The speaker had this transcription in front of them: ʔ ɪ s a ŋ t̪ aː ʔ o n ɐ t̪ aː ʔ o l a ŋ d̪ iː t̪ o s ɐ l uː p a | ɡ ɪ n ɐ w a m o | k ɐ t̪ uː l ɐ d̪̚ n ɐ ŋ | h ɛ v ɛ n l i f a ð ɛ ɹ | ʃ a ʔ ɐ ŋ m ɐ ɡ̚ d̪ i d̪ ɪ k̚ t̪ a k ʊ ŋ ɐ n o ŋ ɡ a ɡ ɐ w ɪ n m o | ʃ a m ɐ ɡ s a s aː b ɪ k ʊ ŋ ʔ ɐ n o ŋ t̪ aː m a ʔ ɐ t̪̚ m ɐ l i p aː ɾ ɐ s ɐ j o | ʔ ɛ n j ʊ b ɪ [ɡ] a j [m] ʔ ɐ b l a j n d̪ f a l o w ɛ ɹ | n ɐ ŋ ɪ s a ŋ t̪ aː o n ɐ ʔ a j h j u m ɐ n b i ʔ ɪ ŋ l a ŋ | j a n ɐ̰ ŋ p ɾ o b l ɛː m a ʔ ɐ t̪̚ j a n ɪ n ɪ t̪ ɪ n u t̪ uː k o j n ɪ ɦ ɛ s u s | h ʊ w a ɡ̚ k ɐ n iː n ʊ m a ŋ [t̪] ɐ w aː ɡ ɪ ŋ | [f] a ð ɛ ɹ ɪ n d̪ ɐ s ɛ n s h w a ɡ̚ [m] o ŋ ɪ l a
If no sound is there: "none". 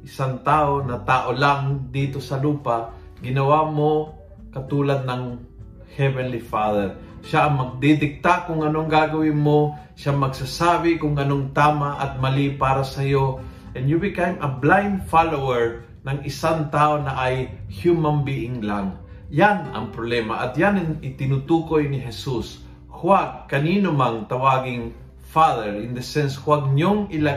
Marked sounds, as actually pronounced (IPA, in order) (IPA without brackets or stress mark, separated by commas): k, m, t̪, f, ɲ